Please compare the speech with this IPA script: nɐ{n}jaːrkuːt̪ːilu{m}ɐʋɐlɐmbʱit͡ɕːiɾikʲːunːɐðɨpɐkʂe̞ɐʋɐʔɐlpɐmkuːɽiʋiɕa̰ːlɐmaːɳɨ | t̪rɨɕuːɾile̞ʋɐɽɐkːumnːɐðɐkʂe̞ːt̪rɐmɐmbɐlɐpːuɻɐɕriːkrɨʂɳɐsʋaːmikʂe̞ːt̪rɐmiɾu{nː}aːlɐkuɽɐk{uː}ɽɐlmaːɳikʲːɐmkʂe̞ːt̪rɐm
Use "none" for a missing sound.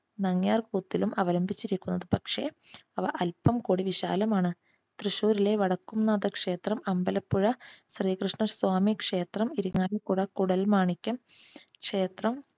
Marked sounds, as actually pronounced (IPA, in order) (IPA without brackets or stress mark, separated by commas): ŋ, m, ŋː, u